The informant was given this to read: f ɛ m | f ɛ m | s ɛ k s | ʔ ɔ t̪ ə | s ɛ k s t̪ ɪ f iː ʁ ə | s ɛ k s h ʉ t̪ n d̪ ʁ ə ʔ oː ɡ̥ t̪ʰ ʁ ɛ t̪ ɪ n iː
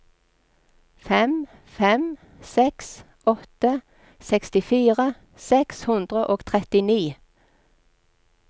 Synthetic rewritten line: f ɛ m | f ɛ m | s ɛ k s | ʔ ɔ t̪ ə | s ɛ k s t̪ ɪ f iː ʁ ə | s ɛ k s h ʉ n d̪ ʁ ə ʔ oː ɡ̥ t̪ʰ ʁ ɛ t̪ ɪ n iː